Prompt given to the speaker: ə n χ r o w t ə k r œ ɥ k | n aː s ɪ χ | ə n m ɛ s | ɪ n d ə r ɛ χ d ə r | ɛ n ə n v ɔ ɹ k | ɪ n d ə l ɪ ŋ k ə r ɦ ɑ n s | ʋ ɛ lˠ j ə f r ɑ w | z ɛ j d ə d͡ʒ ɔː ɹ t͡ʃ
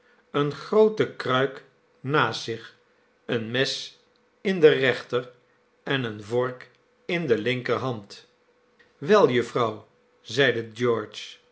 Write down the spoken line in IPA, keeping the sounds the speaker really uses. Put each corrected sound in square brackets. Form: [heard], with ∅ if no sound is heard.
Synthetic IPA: ə n χ r o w t ə k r œ ɥ k | n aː s ɪ χ | ə n m ɛ s | ɪ n d ə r ɛ χ [t] ə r | ɛ n ə n v ɔ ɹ k | ɪ n d ə l ɪ ŋ k ə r ɦ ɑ n [t] | ʋ ɛ lˠ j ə f r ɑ w | z ɛ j d ə d͡ʒ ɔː ɹ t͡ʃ